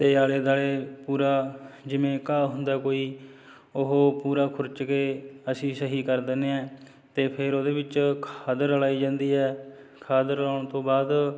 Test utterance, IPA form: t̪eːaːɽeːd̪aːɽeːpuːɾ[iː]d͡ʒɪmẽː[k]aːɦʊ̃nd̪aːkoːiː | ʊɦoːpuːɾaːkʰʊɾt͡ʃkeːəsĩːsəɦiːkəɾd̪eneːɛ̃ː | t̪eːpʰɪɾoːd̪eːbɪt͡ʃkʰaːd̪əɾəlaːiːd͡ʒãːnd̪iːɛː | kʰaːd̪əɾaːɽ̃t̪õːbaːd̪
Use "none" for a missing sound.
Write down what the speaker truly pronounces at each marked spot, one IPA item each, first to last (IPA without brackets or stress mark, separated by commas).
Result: aː, k